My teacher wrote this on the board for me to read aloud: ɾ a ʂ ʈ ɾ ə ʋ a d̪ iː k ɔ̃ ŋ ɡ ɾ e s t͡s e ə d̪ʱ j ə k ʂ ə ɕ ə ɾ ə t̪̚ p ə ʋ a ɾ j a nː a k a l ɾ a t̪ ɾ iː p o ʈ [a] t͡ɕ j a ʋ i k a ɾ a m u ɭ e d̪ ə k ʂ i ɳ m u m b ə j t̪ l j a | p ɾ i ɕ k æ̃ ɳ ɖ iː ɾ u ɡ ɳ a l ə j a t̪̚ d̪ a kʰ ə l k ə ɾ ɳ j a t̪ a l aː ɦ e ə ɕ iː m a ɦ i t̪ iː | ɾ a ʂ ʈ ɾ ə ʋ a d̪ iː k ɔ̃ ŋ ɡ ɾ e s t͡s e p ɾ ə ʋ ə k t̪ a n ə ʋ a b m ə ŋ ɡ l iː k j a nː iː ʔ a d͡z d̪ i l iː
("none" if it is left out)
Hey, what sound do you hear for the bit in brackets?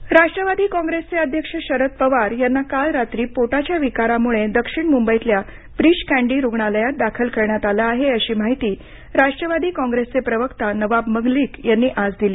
a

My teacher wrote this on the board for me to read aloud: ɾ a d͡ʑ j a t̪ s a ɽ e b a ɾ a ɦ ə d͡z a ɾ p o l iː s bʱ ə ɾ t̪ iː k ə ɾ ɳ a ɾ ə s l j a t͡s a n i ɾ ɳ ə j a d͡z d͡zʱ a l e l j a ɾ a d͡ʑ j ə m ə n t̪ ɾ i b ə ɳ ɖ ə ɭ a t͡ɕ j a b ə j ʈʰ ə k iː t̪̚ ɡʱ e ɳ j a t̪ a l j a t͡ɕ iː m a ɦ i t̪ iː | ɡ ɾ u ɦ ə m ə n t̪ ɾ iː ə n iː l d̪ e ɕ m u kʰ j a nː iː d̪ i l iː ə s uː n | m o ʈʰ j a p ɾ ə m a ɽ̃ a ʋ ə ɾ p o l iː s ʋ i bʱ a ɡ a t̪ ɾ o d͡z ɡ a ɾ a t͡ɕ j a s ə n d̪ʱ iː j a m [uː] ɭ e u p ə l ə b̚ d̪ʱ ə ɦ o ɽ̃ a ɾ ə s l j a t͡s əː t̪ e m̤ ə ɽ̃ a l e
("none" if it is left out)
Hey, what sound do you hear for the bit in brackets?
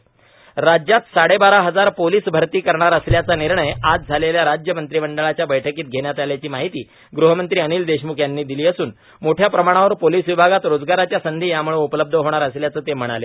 u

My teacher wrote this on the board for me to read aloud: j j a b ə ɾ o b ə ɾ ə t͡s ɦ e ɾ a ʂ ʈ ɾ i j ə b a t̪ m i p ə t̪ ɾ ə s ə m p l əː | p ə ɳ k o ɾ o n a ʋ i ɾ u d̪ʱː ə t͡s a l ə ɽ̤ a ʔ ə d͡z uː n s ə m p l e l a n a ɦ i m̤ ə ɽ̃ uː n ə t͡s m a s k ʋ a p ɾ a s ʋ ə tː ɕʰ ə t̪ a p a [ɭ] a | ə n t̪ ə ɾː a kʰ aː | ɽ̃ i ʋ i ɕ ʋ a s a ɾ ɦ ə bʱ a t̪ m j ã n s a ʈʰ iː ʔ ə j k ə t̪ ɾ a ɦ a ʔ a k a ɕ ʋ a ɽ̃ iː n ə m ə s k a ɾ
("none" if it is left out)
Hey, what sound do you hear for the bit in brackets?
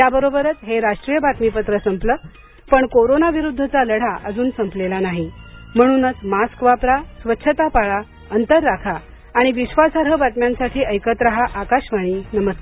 ɭ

